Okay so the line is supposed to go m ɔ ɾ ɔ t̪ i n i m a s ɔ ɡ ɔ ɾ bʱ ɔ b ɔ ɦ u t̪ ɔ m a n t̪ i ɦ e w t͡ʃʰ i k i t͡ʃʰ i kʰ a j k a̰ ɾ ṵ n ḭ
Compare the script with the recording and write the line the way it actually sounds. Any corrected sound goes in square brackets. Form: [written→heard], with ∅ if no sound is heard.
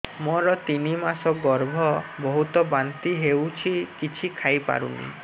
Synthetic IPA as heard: m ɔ ɾ ɔ t̪ i n i m a s ɔ ɡ ɔ ɾ bʱ ɔ b ɔ ɦ u t̪ ɔ [m→b] a n t̪ i ɦ e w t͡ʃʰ i k i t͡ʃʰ i kʰ a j [k→p] a̰ ɾ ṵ n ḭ